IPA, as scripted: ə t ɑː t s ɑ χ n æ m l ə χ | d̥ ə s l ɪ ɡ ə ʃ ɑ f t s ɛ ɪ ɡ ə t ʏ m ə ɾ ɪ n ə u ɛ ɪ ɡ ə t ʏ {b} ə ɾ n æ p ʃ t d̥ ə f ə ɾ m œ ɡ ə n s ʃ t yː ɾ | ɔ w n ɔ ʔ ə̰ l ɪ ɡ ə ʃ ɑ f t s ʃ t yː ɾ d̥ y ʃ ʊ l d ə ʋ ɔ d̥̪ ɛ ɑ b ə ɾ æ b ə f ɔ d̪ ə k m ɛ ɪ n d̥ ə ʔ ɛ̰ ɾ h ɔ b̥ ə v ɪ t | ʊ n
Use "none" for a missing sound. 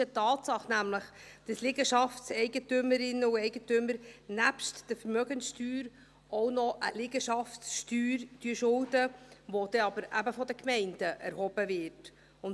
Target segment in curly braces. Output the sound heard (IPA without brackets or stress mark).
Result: m